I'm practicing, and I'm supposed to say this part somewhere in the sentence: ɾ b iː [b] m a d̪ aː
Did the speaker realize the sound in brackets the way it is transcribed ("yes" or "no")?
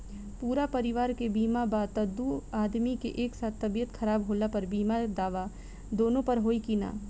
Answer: no